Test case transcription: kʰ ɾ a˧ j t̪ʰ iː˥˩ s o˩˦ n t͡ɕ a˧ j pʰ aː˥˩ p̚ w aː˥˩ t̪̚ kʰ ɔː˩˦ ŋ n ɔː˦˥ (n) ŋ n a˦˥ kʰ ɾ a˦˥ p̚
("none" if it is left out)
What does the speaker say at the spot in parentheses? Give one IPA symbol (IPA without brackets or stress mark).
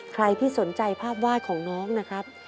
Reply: none